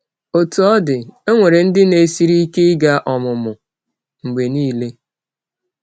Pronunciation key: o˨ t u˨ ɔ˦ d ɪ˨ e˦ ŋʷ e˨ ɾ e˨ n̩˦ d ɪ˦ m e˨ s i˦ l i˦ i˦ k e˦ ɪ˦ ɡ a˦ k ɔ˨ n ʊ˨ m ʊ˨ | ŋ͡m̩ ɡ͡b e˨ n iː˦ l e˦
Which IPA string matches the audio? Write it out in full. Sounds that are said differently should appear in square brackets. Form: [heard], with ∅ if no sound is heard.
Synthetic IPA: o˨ t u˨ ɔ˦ d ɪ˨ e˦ ŋʷ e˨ ɾ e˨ n̩˦ d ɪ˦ [n] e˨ s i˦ [ɾ] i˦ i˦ k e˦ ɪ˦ ɡ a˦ [ʔ] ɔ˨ [m] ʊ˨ m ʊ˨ | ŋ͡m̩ ɡ͡b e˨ n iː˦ l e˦